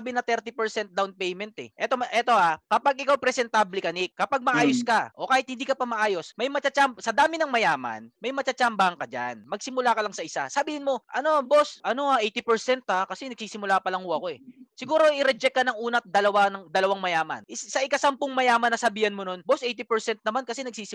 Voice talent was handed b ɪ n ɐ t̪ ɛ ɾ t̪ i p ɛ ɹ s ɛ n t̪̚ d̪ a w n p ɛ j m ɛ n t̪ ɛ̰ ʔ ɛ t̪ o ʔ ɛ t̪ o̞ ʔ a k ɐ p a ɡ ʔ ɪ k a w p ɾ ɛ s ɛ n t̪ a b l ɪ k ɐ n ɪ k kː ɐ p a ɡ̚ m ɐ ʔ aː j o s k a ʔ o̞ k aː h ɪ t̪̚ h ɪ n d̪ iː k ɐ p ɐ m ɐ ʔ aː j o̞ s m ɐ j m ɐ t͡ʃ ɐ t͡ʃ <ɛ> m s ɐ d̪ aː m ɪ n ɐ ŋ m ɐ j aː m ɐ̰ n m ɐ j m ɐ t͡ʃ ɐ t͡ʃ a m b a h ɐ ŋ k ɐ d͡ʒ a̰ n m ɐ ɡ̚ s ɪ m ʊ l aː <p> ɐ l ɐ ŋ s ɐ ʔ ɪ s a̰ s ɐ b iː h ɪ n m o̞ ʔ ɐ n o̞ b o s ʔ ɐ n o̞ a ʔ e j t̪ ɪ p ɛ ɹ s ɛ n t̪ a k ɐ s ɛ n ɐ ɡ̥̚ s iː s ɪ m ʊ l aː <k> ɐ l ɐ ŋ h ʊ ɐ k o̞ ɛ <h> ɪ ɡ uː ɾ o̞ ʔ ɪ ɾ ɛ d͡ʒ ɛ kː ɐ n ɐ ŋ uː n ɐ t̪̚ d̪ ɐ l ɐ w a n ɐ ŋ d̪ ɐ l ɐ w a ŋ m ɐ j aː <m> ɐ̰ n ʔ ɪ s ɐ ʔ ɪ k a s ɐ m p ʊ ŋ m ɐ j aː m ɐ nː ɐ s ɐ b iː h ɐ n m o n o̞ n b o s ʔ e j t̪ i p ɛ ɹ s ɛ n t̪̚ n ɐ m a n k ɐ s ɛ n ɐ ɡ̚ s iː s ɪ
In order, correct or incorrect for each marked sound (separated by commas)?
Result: incorrect, incorrect, incorrect, incorrect, correct